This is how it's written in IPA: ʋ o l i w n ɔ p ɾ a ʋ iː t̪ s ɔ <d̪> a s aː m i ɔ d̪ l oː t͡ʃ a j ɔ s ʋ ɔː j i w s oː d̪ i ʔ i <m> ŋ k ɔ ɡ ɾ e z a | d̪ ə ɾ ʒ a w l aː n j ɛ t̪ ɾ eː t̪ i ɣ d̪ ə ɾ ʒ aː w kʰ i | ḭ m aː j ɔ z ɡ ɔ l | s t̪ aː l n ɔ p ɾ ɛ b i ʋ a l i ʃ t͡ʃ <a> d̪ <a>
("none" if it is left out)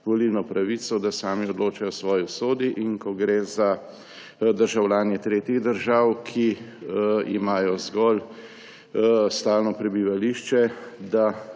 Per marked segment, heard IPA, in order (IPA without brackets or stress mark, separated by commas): d̪, none, ɛ, a